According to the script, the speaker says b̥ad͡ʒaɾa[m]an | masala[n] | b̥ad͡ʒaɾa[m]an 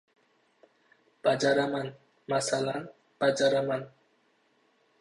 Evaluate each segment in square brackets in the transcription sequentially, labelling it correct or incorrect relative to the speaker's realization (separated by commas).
correct, correct, correct